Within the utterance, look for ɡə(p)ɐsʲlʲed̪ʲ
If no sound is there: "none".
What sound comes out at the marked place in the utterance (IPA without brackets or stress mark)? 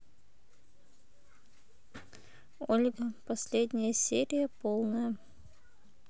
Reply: p